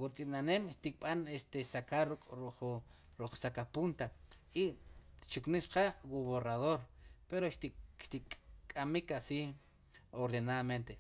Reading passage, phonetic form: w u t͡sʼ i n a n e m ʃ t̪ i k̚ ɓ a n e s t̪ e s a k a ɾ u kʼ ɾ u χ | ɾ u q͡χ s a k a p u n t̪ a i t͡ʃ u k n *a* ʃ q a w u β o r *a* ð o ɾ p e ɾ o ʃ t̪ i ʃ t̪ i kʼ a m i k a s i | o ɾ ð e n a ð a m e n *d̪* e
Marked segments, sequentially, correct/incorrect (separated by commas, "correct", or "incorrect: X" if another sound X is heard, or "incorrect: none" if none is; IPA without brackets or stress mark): incorrect: i, correct, incorrect: t̪